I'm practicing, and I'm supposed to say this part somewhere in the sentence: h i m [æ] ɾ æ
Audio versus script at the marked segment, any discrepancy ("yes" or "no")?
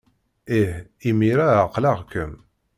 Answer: yes